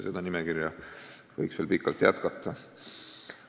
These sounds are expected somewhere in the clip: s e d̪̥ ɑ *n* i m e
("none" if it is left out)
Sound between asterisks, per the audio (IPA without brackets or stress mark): n